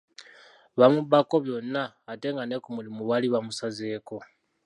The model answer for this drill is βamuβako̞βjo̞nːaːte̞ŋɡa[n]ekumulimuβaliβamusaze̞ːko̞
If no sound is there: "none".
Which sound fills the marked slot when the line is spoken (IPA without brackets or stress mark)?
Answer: n